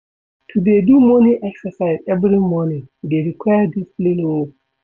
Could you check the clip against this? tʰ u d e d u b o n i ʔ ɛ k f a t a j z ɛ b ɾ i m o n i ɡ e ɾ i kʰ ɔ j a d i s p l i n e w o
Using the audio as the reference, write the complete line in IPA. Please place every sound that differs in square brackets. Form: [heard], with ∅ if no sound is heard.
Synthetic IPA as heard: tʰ u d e d u [m] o n i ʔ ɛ k [s] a [s] a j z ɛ b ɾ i m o n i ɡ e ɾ i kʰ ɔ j a d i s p l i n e w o